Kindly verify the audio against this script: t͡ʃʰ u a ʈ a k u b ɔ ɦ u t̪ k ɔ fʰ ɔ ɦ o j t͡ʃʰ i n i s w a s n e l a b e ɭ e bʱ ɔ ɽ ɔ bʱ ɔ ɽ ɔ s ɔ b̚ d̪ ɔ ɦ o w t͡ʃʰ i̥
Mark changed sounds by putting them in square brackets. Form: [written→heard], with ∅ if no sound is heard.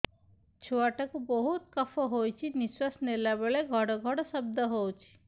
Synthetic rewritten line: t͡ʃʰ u a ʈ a k u b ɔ ɦ u t̪ k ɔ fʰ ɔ ɦ o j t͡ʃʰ i n i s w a s n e l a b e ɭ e [bʱ→ɡʱ] ɔ ɽ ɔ [bʱ→ɡʱ] ɔ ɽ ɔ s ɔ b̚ d̪ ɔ ɦ o w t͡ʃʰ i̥